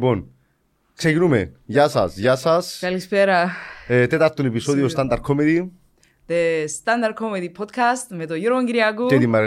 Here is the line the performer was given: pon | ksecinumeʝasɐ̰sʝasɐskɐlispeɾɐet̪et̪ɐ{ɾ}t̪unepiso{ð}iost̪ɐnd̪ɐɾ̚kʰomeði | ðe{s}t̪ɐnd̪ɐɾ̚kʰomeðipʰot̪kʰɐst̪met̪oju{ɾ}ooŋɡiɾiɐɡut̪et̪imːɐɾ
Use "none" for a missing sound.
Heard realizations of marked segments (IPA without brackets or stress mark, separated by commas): ɾ, ð, s, ɾ